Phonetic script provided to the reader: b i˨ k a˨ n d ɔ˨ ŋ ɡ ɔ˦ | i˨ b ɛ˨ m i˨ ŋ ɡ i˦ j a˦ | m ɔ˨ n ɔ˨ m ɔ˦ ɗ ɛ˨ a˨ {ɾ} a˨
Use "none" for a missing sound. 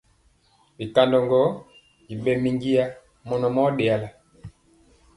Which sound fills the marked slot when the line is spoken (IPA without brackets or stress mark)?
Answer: l